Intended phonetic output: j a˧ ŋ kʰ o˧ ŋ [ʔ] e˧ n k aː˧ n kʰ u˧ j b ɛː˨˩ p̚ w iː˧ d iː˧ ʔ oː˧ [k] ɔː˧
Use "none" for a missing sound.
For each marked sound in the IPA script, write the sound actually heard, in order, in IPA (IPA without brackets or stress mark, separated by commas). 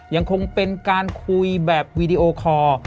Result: p, kʰ